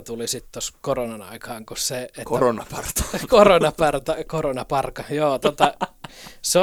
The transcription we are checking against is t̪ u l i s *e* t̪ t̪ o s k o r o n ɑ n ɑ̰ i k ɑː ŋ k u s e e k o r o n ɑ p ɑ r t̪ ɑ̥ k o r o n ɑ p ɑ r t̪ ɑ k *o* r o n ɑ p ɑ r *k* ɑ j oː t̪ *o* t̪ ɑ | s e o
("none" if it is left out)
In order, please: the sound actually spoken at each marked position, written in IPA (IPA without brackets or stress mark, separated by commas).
i, o, k, o